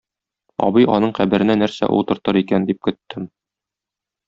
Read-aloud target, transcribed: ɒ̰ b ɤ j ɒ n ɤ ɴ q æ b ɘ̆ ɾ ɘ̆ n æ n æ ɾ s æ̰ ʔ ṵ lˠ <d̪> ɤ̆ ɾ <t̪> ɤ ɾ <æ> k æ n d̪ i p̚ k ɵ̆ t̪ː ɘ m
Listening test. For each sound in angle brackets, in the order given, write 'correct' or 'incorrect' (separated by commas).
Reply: incorrect, correct, incorrect